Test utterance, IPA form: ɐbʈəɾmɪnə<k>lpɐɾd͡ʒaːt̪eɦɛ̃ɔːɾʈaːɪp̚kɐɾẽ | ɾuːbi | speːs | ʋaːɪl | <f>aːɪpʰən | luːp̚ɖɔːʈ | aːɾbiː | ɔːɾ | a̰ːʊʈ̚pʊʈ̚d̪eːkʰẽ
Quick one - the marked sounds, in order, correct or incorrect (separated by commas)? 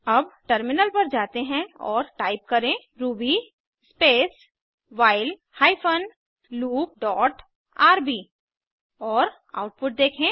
incorrect, incorrect